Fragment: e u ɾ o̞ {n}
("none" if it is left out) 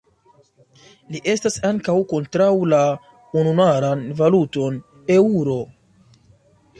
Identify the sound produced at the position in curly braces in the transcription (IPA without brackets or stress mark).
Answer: none